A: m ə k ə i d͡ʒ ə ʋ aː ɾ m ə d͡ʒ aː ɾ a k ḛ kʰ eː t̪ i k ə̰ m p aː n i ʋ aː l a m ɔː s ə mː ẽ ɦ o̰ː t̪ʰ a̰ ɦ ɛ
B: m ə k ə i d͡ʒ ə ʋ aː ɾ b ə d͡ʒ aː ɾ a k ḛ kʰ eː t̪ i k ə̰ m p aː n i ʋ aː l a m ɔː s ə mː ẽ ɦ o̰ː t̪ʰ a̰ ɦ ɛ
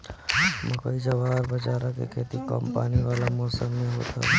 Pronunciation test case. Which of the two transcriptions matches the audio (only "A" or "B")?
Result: B